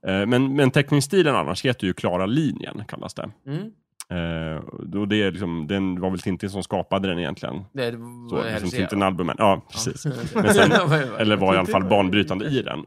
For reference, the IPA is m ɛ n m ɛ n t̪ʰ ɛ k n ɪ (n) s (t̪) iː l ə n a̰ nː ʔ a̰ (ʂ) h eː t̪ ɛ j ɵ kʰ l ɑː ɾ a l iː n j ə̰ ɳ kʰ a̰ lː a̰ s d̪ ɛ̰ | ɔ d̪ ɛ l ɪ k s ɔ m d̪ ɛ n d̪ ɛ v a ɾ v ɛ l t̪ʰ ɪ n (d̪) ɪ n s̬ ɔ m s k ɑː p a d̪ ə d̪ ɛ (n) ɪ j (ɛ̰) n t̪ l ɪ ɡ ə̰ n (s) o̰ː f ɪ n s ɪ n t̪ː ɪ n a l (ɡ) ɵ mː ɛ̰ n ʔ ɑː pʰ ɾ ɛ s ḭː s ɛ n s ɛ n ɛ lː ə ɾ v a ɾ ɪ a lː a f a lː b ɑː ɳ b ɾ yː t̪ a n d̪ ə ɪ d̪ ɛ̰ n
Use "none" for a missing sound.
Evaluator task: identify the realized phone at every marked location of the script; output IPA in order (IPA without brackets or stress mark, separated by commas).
ŋ, t̪, ʂ, t̪, n, ɛ̰, s, b